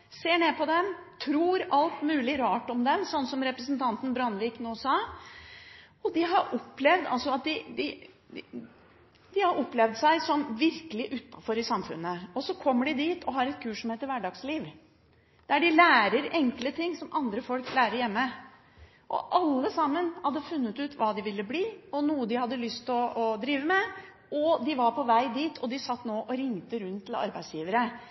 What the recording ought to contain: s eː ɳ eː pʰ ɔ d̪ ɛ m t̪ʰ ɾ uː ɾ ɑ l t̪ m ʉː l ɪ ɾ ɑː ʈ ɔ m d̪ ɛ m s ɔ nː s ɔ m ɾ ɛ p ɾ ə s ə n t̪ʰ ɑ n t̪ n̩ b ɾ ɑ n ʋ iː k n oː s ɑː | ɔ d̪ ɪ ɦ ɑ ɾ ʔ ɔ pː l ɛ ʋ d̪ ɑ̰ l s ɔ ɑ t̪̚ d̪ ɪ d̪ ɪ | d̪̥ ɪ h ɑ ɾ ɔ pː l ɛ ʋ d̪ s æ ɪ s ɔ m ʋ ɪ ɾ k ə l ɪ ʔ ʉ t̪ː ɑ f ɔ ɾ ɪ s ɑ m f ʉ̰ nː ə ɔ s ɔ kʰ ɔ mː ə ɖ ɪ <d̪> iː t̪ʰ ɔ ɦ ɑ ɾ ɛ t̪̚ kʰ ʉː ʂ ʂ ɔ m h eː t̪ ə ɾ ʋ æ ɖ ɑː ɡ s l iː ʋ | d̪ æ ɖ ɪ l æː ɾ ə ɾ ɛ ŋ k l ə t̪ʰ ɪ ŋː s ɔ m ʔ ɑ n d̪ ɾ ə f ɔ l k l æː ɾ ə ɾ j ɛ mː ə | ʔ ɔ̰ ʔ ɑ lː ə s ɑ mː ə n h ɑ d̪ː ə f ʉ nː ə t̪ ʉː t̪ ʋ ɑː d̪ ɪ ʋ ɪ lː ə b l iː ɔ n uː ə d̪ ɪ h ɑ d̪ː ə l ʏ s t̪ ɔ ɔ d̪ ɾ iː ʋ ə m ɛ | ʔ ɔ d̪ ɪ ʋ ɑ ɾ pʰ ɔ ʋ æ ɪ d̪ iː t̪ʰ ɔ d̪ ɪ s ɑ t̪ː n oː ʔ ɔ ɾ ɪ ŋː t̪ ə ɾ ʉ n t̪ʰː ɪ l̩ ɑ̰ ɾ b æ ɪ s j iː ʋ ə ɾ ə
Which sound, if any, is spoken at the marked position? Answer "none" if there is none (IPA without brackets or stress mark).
d̪